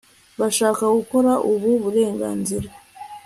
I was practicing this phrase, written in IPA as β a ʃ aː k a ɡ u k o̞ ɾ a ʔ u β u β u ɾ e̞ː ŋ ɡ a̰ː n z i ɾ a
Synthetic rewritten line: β a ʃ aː k a ɡ u k o̞ ɾ a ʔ u β u β u ɾ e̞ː ŋ ɡ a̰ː n z i ɾ a